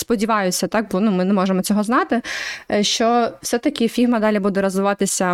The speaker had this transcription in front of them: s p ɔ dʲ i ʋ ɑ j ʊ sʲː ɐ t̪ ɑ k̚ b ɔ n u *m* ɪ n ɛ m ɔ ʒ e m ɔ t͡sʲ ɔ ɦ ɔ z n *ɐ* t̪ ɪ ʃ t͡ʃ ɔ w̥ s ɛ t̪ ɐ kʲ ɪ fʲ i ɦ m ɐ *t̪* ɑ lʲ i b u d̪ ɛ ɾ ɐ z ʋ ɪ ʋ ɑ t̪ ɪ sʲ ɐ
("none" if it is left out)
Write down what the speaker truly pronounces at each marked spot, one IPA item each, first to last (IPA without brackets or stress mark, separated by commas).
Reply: m, ɑ, d̪